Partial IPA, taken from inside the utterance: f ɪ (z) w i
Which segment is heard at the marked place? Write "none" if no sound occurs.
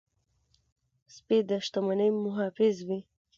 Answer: z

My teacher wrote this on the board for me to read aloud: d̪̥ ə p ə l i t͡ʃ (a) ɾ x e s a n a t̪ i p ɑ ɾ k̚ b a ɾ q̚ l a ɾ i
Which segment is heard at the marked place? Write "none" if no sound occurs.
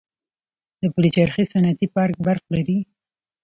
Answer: a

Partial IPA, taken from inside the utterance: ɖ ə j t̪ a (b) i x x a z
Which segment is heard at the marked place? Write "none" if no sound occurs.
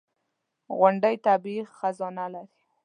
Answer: b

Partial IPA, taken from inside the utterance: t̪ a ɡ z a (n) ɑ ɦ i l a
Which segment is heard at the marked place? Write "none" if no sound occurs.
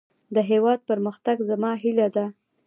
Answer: m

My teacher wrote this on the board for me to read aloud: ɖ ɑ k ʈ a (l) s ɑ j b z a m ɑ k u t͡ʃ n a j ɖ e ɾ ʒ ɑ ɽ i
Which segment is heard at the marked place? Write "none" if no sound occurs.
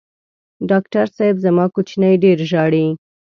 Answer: ɾ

